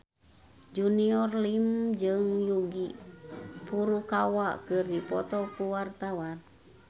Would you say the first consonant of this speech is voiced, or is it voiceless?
voiced